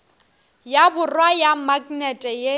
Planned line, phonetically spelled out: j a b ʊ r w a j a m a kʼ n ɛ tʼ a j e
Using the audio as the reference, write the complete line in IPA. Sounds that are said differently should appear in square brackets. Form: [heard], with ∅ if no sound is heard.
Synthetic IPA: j a b ʊ r w a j a m a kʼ n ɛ tʼ [ɛ] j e